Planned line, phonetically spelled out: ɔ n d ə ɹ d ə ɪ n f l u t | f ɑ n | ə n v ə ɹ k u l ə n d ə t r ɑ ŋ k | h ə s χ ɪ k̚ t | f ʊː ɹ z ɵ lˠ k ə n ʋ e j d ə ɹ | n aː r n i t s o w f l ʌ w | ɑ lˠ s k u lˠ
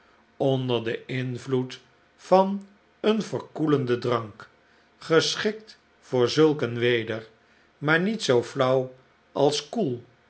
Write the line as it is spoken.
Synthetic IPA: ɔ n d ə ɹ d ə ɪ n v l u t | f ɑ n | ə n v ə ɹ k u l ə n d ə d r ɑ ŋ k | χ ə s χ ɪ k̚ t | f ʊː ɹ z ɵ lˠ k ə n ʋ e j d ə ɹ | m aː ɹ n i t s o w f l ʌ w | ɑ lˠ s k u lˠ